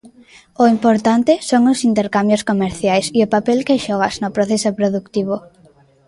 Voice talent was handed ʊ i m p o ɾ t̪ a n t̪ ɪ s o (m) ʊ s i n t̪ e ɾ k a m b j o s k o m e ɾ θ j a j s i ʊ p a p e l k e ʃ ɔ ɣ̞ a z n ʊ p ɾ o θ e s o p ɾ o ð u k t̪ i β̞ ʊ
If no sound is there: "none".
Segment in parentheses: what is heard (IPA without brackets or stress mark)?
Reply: ŋ